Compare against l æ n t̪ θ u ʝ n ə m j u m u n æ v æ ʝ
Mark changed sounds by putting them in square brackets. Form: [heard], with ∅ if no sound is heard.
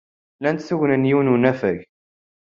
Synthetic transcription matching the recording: l æ n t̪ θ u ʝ n ə [n] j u [n] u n æ [f] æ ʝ